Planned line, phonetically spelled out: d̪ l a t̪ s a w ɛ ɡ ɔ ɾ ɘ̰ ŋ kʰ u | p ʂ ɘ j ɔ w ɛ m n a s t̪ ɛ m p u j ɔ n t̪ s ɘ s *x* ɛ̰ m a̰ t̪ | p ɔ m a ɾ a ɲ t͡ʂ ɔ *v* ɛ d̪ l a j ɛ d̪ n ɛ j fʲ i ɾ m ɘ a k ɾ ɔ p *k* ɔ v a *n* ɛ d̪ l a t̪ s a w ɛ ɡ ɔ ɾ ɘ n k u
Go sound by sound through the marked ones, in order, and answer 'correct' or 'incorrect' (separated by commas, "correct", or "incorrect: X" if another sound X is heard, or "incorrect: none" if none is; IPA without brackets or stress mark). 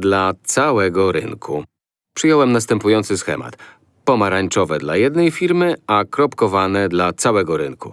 correct, correct, correct, correct